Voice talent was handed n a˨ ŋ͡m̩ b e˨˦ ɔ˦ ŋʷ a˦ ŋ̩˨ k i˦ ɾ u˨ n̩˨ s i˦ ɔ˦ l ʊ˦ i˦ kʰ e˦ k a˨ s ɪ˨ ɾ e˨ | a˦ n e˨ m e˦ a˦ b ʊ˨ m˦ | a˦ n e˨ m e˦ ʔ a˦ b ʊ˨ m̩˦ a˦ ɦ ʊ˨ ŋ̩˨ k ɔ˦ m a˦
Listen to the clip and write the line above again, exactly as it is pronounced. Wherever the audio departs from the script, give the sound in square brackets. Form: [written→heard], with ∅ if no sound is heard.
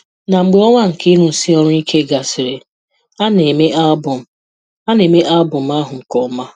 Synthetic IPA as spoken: n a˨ ŋ͡m̩ [b→ɡ͡b] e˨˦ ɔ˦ ŋʷ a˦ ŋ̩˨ k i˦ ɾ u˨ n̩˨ s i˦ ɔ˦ [l→ɾ] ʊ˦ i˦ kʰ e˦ [k→ɡ] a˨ s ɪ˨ ɾ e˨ | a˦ n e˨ m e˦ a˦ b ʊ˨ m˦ | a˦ n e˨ m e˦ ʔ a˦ b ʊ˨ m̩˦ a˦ ɦ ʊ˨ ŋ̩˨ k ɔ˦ m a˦